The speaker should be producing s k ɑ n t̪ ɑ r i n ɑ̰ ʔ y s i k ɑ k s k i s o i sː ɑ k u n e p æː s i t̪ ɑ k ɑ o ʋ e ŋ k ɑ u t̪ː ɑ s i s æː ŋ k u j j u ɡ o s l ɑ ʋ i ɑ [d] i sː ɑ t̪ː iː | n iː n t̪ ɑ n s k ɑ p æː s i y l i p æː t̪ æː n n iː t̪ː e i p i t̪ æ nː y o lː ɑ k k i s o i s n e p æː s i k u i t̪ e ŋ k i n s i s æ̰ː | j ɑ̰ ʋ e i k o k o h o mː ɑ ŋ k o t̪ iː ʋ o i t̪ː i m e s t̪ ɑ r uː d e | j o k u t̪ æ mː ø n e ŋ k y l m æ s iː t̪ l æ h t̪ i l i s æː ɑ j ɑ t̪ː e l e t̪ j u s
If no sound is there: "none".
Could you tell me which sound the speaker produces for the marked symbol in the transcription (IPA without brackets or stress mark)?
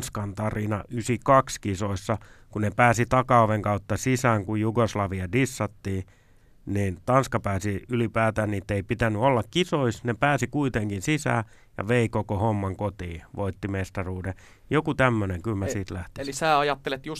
d